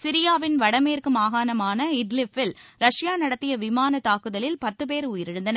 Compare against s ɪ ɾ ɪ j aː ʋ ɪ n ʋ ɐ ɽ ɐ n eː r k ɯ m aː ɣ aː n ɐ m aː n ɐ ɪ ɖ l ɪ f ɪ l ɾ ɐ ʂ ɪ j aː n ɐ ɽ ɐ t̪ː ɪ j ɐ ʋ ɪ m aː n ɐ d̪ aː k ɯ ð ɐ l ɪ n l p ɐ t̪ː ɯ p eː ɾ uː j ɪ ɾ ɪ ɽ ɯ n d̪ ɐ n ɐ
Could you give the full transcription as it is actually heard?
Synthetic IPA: s ɪ ɾ ɪ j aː ʋ ɪ n ʋ ɐ ɽ ɐ m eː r k ɯ m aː ɣ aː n ɐ m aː n ɐ ɪ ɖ l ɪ f ɪ l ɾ ɐ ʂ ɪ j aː n ɐ ɽ ɐ t̪ː ɪ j ɐ ʋ ɪ m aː n ɐ t̪ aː k ɯ ð ɐ l ɪ l p ɐ t̪ː ɯ p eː ɾ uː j ɪ ɾ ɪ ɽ ɯ n d̪ ɐ n ɐ